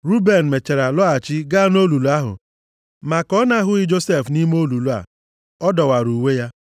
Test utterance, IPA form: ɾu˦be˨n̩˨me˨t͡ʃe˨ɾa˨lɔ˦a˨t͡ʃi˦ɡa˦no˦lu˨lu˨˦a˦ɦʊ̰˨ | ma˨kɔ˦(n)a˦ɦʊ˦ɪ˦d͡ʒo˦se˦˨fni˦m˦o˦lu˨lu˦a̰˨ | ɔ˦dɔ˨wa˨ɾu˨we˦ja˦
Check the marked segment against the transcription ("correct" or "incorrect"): correct